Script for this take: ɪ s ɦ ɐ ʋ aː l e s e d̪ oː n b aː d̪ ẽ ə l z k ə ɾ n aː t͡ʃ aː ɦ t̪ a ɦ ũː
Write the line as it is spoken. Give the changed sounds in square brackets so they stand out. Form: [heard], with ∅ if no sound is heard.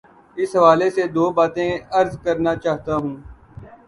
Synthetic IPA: ɪ s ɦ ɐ ʋ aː l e s e d̪ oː [∅] b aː [t̪] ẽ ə [ɾ] z k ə ɾ n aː t͡ʃ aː ɦ t̪ a ɦ ũː